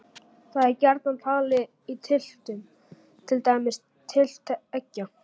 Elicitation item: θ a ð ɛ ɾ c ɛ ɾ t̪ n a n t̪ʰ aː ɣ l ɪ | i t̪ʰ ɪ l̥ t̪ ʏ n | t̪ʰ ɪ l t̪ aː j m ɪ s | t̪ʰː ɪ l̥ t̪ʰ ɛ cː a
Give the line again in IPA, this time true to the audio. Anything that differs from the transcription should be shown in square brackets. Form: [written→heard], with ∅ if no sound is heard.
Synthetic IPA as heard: θ a ð ɛ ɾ c ɛ ɾ t̪ n a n t̪ʰ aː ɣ l ɪ | i t̪ʰ ɪ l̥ t̪ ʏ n | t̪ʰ ɪ l t̪ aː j m ɪ s | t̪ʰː ɪ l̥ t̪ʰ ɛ cː a